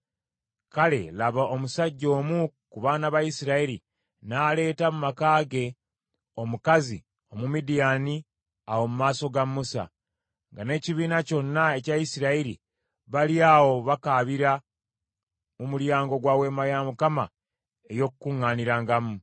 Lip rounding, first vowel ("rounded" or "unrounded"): unrounded